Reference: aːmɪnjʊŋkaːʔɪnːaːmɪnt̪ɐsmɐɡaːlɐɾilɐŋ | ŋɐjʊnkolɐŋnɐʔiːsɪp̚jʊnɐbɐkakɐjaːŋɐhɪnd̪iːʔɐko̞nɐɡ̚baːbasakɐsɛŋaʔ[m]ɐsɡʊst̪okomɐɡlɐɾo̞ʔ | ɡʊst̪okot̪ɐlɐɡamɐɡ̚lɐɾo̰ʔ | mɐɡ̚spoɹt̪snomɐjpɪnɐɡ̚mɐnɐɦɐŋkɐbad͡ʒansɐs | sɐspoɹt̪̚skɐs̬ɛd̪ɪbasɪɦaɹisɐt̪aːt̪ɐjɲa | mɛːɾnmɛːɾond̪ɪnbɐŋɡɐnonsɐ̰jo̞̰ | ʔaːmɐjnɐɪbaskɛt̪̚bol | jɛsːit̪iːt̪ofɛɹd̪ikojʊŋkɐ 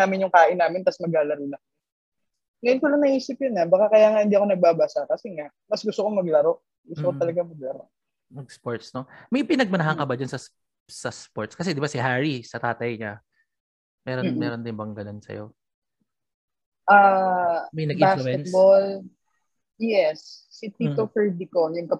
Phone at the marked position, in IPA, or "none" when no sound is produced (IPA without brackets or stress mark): m